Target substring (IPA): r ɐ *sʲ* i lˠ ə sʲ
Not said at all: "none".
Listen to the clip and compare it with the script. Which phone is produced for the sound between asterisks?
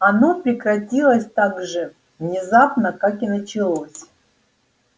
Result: tʲ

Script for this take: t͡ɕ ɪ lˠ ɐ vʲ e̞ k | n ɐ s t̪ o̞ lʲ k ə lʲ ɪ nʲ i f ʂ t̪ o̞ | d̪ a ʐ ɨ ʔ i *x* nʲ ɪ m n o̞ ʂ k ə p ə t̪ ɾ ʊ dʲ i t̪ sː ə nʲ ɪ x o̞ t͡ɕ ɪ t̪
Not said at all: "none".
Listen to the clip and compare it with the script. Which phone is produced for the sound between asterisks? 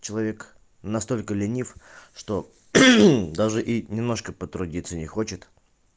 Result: none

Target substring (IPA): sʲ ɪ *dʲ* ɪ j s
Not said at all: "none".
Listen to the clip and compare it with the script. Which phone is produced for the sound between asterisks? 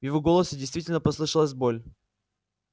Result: dʲ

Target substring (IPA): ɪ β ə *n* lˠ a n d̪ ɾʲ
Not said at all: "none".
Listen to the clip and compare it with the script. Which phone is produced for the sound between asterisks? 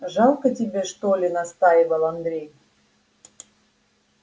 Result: none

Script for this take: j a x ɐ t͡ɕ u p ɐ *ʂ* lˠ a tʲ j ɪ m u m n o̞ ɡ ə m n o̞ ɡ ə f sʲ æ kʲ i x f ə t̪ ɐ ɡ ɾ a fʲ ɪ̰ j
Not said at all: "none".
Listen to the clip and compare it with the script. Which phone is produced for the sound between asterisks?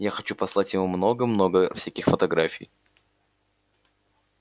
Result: s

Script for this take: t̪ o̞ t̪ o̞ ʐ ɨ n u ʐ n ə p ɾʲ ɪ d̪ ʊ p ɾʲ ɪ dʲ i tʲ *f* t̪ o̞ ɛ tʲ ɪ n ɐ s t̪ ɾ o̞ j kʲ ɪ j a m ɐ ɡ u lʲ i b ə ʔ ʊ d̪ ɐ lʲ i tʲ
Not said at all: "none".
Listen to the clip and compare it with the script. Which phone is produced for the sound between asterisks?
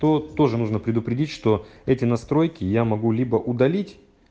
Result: ʂ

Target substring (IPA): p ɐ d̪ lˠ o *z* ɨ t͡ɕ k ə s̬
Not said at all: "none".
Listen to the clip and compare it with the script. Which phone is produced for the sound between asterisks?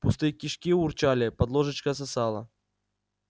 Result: ʐ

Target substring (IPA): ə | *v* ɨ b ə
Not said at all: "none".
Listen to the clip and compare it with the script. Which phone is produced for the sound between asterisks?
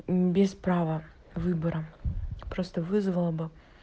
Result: v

